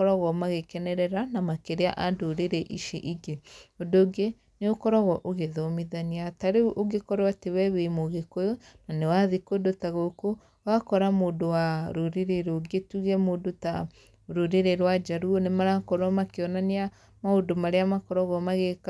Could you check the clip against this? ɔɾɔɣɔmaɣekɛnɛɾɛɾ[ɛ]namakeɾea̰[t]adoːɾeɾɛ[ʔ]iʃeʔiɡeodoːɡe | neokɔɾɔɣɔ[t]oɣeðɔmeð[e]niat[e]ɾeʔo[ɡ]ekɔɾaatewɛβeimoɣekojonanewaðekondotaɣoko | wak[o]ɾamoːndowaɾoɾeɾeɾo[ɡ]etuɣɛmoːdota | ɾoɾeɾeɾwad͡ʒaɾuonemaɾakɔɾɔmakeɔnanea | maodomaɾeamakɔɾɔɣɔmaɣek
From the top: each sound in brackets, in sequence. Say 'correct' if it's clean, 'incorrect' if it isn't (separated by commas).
incorrect, incorrect, correct, incorrect, incorrect, incorrect, correct, incorrect, correct